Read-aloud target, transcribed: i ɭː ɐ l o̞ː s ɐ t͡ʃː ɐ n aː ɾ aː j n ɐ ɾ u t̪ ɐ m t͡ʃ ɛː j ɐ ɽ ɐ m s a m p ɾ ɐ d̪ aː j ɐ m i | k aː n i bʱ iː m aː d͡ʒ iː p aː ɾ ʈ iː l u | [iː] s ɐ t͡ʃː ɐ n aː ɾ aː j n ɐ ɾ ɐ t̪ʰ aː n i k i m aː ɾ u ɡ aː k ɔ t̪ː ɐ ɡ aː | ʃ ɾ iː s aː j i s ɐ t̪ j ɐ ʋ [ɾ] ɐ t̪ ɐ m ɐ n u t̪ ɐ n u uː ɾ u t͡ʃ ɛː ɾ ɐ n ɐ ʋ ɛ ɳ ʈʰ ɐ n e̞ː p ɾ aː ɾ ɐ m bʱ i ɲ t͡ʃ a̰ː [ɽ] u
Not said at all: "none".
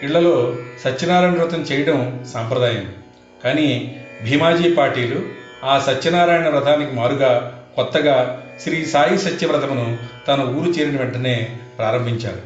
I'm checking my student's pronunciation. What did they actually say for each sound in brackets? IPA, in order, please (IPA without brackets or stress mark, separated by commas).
aː, ɾ, ɾ